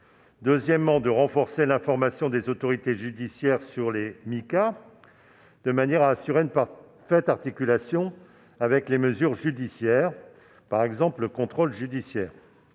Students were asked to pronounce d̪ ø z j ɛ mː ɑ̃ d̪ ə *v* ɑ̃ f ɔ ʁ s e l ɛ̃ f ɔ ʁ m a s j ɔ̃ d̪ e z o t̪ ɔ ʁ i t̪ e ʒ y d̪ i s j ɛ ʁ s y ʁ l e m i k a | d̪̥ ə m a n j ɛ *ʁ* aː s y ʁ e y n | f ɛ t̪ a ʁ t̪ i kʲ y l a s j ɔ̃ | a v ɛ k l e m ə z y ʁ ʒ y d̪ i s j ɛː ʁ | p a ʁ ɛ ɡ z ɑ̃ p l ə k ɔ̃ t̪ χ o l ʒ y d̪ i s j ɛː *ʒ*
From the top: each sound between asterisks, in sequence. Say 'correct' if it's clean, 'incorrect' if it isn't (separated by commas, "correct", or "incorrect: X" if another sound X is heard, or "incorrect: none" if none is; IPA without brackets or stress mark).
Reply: incorrect: ʁ, correct, incorrect: ʁ